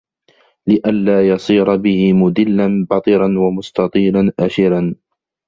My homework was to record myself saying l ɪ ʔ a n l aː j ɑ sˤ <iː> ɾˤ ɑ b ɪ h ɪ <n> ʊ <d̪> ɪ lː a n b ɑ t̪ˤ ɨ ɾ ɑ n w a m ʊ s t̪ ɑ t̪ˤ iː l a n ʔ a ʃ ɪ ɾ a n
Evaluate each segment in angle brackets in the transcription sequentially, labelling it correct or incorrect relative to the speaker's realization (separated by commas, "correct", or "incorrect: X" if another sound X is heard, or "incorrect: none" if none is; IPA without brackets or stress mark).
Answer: correct, incorrect: m, correct